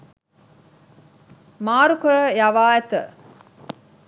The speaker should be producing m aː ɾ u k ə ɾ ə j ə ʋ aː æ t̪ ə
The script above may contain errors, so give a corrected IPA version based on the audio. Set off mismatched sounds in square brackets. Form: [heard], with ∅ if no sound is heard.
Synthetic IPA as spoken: m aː ɾ u k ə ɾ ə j [a] ʋ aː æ t̪ ə